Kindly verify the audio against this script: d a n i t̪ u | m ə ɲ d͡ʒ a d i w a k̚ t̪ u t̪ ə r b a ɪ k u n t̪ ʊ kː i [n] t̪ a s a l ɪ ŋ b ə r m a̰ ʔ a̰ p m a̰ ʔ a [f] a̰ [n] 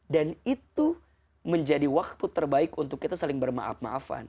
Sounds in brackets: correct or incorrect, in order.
incorrect: none, correct, correct

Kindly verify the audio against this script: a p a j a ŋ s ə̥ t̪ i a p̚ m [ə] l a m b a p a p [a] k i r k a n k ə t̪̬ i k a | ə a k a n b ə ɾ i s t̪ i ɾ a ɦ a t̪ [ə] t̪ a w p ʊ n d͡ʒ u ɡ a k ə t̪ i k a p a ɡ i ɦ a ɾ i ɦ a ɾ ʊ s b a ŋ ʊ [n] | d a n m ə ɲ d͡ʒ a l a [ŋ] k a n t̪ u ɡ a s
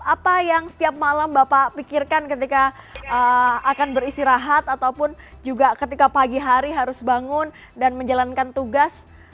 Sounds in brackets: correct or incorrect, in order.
incorrect: a, incorrect: i, incorrect: a, correct, incorrect: n

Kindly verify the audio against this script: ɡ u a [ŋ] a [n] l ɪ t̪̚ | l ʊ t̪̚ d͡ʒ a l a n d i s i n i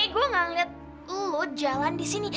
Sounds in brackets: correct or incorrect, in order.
correct, incorrect: ŋ

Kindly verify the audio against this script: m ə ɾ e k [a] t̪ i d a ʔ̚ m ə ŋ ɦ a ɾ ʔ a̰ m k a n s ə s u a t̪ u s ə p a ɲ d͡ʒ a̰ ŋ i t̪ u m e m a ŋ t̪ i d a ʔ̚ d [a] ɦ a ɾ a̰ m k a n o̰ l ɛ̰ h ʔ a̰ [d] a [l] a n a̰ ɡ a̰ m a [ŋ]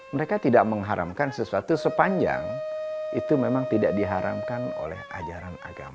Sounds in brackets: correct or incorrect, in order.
correct, incorrect: i, incorrect: d͡ʒ, incorrect: ɾ, incorrect: none

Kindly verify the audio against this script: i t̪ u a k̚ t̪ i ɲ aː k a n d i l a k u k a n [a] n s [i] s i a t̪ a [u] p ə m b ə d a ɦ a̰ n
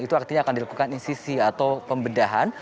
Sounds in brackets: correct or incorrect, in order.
incorrect: i, correct, incorrect: w

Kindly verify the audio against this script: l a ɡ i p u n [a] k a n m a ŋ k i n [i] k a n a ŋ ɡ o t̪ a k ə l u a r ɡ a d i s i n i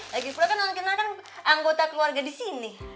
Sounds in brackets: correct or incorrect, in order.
correct, incorrect: a

